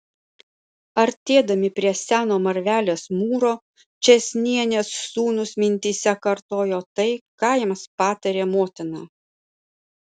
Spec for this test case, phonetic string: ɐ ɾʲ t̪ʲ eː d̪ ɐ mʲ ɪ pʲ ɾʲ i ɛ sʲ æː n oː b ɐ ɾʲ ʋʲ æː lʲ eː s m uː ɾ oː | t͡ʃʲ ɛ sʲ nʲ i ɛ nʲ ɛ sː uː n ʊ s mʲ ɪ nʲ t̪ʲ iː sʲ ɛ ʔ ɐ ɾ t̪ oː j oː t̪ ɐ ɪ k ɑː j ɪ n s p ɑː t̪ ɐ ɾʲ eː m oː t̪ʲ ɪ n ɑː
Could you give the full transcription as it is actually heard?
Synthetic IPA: ɐ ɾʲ t̪ʲ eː d̪ ɐ mʲ ɪ pʲ ɾʲ i ɛ sʲ æː n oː m ɐ ɾʲ ʋʲ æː lʲ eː s m uː ɾ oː | t͡ʃʲ ɛ sʲ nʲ i ɛ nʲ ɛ sː uː n ʊ s mʲ ɪ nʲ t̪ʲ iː sʲ ɛ k ɐ ɾ t̪ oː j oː t̪ ɐ ɪ k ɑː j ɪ m s p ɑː t̪ ɐ ɾʲ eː m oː t̪ʲ ɪ n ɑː